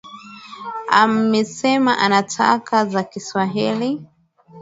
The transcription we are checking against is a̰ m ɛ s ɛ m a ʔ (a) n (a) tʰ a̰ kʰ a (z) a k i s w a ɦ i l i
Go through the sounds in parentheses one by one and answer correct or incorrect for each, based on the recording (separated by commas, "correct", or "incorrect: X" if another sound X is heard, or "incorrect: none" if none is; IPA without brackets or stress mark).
correct, correct, correct